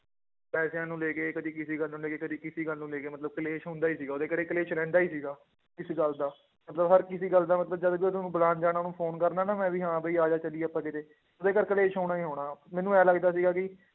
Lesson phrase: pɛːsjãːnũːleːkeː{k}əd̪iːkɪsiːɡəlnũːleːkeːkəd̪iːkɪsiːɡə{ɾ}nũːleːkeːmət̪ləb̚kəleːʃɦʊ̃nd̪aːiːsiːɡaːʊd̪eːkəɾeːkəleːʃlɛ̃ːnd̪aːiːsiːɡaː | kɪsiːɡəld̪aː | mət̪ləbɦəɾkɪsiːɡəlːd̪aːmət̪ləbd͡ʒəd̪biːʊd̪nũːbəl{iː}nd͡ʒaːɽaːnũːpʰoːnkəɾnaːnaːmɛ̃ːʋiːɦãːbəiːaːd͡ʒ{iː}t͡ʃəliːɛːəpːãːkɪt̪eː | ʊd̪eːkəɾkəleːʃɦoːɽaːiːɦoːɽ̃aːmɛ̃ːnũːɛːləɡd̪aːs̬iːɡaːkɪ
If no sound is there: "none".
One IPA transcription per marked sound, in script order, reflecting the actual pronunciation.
k, l, aː, aː

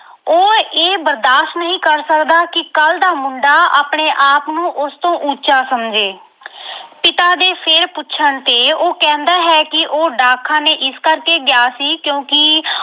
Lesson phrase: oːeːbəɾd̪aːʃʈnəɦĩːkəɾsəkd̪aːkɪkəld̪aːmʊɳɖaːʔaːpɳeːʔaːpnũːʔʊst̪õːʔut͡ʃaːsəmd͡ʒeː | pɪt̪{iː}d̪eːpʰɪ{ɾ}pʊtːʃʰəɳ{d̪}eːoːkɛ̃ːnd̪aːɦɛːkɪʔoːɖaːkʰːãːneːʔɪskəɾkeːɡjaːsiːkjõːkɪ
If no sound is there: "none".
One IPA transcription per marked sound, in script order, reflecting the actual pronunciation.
aː, ɾ, t̪

